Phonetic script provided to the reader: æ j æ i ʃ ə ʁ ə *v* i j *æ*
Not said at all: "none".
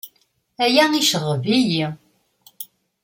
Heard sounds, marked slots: v, i

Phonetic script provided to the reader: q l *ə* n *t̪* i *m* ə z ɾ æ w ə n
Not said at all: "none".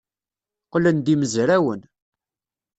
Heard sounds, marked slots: ə, d̪, m

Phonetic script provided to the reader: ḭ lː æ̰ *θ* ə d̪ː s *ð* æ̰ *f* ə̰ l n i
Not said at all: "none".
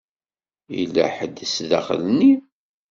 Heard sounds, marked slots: ħ, ð, χ

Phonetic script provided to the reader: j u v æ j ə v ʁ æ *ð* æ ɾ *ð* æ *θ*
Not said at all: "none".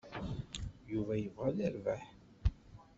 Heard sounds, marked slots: ð, v, ħ

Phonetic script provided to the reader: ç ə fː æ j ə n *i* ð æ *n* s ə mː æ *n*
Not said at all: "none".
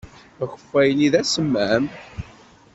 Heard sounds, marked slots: i, none, m

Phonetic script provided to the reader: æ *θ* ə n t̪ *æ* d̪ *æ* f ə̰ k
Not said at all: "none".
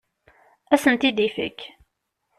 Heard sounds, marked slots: s, i, i

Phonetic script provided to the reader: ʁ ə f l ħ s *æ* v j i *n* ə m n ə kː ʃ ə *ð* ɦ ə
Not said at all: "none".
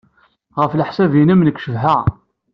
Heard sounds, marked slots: æ, n, v

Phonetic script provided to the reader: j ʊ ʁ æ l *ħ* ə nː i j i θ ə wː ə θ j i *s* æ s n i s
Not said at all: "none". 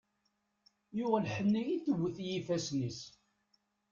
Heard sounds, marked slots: ħ, f

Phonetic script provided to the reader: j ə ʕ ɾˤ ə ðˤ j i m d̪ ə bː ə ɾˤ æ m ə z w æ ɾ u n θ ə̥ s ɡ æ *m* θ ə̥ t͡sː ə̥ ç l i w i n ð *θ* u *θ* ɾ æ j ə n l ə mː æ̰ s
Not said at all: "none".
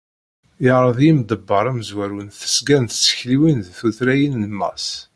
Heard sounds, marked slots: n, θ, θ

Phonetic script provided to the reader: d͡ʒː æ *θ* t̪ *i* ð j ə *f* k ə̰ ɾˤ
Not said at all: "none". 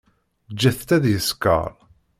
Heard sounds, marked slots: θ, æ, s

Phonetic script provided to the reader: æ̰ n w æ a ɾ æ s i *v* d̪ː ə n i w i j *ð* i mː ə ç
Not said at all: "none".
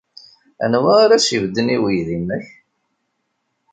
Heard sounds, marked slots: v, ð

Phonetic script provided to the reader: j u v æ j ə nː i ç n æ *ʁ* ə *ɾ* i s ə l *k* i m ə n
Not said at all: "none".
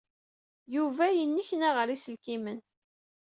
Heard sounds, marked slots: ʁ, ɾ, k

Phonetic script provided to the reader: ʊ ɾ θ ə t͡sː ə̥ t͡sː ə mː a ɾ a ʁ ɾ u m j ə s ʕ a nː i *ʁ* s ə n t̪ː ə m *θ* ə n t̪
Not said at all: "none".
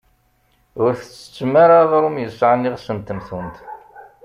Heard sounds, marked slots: ʁ, θ

